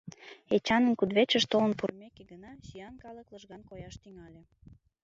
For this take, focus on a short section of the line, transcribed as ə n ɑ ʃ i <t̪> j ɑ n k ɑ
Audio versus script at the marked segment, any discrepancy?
yes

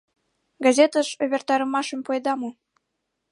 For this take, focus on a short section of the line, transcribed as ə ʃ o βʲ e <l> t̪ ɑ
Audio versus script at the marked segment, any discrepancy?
yes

